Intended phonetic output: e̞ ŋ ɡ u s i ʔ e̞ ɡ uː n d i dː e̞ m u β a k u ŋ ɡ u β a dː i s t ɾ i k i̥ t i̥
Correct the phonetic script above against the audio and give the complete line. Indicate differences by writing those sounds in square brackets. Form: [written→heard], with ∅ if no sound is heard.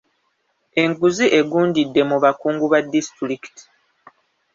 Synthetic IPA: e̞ ŋ ɡ u [s→z] i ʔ e̞ ɡ uː n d i dː e̞ m u β a k [u→uː] ŋ ɡ u β a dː i s t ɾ i k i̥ t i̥